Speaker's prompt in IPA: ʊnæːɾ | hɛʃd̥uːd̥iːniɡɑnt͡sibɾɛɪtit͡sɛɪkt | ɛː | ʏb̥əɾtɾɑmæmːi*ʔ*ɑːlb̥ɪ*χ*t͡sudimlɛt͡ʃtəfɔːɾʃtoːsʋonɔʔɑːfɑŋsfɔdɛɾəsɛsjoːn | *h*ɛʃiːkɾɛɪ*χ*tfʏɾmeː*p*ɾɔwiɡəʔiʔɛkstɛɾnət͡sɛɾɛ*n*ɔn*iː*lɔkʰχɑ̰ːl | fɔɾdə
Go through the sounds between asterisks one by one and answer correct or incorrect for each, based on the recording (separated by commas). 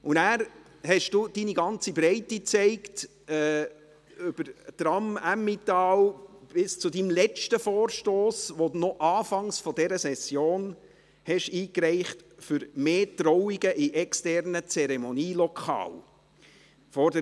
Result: incorrect, incorrect, correct, correct, incorrect, incorrect, correct